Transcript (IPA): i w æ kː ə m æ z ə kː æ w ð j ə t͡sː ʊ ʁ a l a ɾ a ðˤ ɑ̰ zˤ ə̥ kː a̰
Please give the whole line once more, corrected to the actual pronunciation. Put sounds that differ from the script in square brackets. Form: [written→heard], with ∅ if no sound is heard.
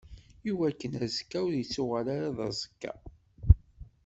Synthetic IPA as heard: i w æ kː ə [m→n] æ z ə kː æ w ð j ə t͡sː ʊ ʁ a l a ɾ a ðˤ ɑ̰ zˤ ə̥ kː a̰